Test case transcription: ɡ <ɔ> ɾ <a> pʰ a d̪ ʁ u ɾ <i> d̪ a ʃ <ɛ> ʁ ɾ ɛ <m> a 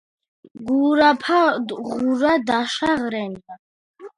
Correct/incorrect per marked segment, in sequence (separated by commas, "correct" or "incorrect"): incorrect, correct, incorrect, incorrect, incorrect